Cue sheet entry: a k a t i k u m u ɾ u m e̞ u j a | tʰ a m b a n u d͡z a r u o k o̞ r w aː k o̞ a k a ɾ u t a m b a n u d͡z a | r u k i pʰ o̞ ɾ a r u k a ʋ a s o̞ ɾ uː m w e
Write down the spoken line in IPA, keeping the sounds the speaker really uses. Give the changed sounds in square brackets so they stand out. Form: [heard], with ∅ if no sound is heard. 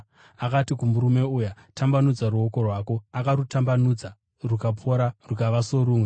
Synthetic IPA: a k a t i k u m u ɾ u m e̞ u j a | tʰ a m b a n u d͡z a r u o k o̞ r w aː k o̞ a k a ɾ u t a m b a n u d͡z a | r u k [a] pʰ o̞ ɾ a r u k a ʋ a s o̞ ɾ uː m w e